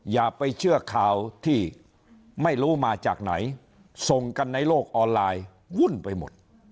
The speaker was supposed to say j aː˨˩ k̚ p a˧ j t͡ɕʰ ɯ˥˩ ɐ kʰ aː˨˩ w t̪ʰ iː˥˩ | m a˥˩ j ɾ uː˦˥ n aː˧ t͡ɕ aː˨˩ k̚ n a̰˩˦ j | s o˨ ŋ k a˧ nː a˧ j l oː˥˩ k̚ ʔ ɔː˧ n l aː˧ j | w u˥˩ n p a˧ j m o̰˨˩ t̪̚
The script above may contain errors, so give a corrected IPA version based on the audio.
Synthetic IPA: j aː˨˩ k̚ p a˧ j t͡ɕʰ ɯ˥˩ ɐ kʰ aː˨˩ w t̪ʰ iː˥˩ | m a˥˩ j ɾ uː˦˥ m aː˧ t͡ɕ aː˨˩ k̚ n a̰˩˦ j | s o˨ ŋ k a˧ nː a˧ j l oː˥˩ k̚ ʔ ɔː˧ n l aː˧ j | w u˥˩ n p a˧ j m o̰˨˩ t̪̚